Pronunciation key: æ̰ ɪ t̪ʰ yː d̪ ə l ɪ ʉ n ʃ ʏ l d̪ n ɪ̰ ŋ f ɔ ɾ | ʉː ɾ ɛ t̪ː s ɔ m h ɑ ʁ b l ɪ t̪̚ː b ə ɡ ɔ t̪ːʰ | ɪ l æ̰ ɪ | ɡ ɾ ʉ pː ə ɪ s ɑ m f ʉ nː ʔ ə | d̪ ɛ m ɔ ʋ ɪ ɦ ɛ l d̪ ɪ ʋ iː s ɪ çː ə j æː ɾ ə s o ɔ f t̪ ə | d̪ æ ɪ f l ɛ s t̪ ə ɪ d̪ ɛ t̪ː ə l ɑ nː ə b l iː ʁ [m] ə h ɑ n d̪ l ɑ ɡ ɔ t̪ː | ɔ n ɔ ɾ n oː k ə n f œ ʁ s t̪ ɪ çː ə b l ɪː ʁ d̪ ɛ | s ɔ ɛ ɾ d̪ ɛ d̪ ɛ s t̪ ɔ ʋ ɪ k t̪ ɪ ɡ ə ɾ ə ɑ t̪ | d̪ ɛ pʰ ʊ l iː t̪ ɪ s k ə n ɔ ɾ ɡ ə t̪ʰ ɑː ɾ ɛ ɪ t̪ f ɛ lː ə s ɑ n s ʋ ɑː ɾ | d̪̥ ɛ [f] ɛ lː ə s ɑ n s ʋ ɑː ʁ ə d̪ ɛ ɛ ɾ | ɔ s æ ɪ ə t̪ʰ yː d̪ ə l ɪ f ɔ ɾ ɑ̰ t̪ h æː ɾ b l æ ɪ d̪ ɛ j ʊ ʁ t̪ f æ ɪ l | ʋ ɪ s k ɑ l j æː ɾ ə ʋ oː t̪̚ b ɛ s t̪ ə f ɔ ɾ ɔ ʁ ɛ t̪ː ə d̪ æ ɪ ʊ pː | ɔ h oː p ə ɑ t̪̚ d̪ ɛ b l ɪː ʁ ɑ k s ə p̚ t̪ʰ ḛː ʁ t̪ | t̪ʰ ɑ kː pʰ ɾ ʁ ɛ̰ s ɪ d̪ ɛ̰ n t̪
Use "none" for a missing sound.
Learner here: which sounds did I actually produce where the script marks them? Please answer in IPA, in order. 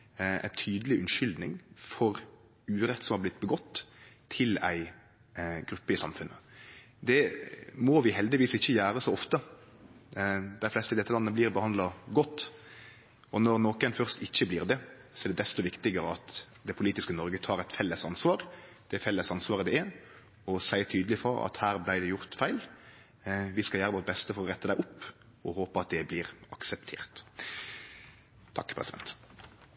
b, f

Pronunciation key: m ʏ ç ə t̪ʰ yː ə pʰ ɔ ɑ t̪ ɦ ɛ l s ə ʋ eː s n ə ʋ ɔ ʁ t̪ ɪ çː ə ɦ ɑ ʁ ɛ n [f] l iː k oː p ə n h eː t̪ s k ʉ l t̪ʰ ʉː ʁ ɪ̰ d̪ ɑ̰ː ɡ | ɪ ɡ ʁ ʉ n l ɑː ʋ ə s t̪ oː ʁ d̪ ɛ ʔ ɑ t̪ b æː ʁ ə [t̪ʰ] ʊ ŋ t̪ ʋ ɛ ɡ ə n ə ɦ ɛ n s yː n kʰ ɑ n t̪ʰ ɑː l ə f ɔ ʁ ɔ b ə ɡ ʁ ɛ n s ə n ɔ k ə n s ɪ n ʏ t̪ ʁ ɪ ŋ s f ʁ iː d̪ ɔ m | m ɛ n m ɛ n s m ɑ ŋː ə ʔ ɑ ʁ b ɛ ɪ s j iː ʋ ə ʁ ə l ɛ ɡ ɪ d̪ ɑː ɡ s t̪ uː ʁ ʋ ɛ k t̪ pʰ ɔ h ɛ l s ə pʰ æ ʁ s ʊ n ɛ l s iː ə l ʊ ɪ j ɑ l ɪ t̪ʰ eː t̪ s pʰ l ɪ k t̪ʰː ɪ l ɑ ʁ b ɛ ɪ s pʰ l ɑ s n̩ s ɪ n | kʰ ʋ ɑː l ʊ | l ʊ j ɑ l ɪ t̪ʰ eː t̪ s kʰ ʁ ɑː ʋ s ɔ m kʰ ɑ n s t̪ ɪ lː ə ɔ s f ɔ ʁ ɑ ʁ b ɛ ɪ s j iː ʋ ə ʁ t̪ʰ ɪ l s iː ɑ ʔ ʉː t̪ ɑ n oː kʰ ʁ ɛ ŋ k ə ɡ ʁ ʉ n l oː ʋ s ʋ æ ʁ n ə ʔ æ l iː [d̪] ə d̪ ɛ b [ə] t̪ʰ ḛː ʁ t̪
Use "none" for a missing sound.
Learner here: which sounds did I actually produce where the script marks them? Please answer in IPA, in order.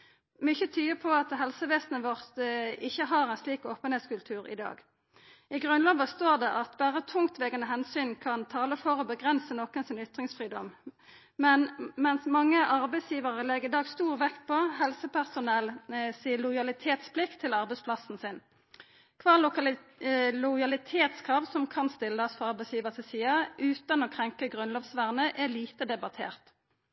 s, t̪ʰ, t̪, ɑ

